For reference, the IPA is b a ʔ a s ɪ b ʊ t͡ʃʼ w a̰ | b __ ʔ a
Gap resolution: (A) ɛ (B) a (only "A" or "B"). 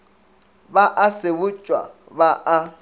B